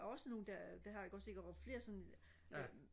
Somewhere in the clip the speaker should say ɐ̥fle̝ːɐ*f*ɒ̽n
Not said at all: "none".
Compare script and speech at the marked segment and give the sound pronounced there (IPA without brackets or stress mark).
s